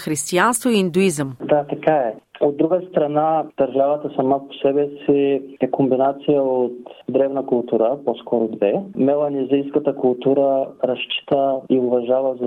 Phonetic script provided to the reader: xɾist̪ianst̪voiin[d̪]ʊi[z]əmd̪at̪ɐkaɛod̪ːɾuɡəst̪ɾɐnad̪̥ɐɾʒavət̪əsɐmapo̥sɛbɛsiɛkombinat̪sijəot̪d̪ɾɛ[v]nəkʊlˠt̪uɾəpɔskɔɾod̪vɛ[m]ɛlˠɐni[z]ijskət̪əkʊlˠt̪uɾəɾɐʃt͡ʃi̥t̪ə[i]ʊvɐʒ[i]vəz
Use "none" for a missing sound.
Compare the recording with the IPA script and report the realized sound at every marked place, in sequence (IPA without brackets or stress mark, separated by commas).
d̪, z, v, m, z, i, a